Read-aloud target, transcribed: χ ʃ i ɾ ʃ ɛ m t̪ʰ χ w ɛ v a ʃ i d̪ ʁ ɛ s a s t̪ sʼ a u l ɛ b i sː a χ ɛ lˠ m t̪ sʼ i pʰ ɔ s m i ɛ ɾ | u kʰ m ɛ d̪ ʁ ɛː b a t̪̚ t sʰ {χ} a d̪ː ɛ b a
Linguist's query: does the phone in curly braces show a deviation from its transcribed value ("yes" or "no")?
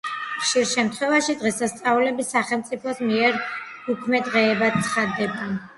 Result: no